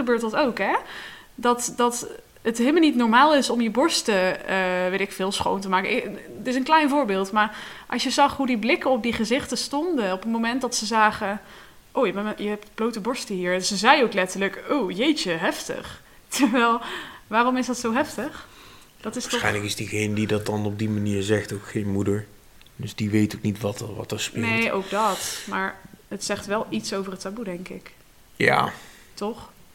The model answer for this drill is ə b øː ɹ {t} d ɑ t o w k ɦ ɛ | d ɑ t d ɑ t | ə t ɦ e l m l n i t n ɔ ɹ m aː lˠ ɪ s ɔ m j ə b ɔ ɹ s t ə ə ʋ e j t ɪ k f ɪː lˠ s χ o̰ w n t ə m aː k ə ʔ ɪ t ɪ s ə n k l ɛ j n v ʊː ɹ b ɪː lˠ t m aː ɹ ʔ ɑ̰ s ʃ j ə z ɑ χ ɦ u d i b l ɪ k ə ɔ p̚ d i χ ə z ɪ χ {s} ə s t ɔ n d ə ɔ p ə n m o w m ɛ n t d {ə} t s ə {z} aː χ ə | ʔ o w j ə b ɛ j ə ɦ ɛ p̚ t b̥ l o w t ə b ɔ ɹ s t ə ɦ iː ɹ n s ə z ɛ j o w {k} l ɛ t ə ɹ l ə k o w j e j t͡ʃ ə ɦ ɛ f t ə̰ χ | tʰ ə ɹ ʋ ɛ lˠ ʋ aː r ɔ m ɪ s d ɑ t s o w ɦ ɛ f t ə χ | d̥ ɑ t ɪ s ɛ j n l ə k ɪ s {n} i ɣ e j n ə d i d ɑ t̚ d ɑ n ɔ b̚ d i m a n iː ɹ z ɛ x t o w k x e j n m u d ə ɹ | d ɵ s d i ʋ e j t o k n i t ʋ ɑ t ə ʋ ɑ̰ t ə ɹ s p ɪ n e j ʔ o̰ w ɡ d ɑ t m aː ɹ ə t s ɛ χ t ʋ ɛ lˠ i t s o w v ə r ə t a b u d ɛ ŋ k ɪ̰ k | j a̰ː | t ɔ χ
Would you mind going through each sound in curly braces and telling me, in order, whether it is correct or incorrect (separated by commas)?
correct, incorrect, incorrect, correct, correct, incorrect